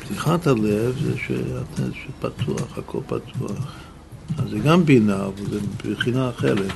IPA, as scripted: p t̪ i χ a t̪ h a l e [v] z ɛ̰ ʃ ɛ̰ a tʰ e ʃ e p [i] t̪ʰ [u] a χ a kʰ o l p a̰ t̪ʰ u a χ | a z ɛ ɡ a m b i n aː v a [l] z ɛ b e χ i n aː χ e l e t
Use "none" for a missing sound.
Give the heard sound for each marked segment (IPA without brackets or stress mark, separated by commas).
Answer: v, a, u, l